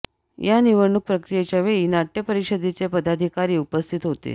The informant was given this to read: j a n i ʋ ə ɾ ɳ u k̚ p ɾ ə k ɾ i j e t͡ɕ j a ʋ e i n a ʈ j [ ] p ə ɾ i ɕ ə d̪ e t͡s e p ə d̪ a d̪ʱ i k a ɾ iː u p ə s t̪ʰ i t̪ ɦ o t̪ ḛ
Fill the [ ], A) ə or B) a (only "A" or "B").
A